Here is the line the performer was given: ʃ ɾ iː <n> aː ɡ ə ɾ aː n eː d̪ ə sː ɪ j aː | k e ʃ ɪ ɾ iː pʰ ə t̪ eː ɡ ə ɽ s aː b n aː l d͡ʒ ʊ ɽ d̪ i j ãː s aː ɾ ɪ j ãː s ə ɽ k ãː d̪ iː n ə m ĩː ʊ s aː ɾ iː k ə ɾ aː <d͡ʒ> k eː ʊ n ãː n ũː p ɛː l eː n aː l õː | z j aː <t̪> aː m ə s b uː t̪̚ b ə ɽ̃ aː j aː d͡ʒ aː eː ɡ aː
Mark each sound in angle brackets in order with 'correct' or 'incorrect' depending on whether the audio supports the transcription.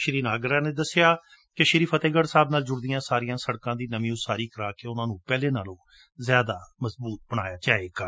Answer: correct, incorrect: none, incorrect: d̪

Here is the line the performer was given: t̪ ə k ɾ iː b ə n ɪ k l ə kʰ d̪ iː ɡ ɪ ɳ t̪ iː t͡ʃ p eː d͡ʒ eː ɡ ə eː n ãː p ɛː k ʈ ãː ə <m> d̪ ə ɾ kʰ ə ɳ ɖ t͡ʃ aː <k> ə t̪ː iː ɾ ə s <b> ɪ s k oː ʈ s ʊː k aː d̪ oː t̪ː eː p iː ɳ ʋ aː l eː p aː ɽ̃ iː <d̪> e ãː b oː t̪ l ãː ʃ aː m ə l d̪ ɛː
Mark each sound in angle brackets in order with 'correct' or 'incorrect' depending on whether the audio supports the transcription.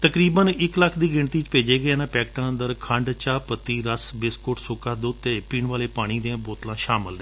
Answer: incorrect: n, incorrect: p, correct, correct

